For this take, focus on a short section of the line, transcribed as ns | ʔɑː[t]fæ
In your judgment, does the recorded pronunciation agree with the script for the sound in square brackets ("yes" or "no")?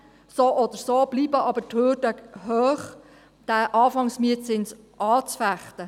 no